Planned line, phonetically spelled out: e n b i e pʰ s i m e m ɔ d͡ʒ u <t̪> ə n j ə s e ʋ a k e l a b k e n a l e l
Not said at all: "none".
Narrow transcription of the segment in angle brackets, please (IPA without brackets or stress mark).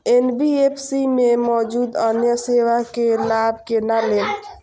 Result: d̪